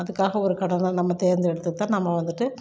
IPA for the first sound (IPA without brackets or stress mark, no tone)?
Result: ɐ